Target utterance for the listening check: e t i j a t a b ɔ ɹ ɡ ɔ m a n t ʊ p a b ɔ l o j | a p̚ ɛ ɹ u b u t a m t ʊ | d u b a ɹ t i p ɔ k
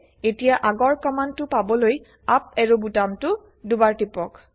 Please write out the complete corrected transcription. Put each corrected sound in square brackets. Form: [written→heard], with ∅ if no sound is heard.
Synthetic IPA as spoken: e t i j a [t→ʔ] a [b→ɡ] ɔ ɹ [ɡ→k] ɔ m a n t ʊ p a b ɔ l o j | a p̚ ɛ ɹ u b u t a m t ʊ | d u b a ɹ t i p ɔ k